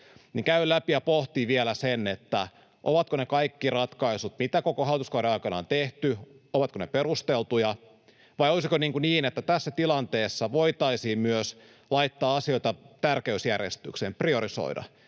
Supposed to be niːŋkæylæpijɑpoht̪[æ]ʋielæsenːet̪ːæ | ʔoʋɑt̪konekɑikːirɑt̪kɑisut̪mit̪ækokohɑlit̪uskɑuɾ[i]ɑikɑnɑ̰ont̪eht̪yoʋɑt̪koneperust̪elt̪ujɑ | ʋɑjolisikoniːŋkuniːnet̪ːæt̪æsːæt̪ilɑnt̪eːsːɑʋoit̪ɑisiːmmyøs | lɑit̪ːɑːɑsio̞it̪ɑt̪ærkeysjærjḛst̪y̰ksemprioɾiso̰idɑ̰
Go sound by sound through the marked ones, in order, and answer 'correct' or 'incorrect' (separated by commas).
incorrect, incorrect